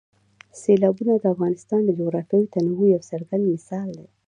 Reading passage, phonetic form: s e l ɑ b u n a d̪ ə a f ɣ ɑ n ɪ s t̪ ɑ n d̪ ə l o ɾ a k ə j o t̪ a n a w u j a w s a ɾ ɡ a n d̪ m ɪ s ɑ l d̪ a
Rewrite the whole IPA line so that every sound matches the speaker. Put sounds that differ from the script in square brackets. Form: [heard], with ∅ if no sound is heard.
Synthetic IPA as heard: s e l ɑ b u n a d̪ ə a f ɣ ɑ n ɪ s t̪ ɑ n d̪ ə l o ɾ a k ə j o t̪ a n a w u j a w s a ɾ ɡ a n d̪ m ɪ s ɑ l d̪ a